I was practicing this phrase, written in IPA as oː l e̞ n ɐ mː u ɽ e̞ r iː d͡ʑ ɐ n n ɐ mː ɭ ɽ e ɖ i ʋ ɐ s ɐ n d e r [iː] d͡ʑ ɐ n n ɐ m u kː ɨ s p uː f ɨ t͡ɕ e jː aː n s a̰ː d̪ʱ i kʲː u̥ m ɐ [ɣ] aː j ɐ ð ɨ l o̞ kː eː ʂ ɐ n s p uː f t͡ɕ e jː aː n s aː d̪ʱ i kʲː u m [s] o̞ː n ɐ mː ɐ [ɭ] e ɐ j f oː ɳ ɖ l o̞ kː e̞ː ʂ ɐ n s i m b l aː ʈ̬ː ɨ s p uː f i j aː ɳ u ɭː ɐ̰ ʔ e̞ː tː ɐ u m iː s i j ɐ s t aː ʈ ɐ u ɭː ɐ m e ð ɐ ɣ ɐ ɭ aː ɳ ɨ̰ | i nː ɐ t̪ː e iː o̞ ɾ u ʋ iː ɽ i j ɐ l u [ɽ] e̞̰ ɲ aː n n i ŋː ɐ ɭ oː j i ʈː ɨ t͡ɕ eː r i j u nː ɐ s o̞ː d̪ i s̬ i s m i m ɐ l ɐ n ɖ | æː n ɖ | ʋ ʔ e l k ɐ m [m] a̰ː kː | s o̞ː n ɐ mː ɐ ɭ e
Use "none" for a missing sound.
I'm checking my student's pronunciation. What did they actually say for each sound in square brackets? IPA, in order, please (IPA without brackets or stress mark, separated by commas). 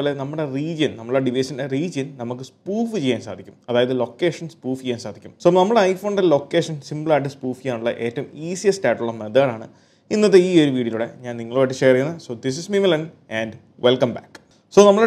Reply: iː, ð, s, ɽ, ɽ, b